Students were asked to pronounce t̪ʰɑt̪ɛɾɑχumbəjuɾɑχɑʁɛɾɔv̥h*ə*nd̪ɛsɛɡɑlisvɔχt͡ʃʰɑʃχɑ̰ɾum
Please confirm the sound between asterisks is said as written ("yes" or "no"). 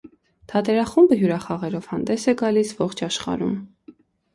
no